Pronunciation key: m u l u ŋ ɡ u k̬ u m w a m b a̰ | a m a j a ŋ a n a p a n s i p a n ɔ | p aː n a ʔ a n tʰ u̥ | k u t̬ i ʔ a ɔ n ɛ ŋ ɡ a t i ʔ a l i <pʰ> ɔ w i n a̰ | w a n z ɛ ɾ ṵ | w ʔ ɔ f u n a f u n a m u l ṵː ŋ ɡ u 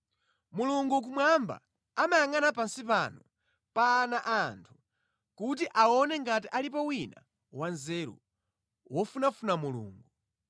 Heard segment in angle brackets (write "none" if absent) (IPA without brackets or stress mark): p